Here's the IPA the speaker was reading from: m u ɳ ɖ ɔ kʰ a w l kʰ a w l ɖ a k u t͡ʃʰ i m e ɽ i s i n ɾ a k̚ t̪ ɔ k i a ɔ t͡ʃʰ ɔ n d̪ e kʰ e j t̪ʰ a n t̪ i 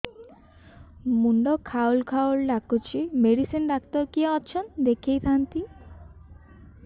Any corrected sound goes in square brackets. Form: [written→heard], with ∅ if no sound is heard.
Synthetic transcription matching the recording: m u ɳ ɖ ɔ kʰ a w l kʰ a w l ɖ a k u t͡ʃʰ i m e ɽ i s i n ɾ a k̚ t̪ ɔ k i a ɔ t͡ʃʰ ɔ n d̪ e kʰ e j t̪ʰ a n t̪ i